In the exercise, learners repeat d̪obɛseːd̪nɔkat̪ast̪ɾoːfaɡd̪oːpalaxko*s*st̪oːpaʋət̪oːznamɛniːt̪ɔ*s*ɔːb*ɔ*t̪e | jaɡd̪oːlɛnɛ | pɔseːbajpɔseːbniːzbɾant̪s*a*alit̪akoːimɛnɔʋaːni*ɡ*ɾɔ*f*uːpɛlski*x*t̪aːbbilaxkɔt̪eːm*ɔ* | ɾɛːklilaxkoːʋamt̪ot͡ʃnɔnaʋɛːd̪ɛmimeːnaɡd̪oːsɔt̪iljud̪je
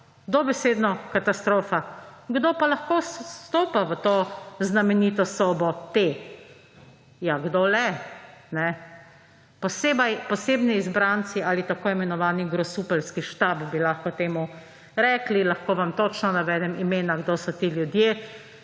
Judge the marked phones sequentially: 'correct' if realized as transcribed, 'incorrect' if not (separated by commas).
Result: correct, correct, correct, incorrect, correct, incorrect, incorrect, incorrect